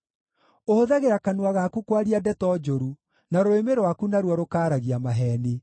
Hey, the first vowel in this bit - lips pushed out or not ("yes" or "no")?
yes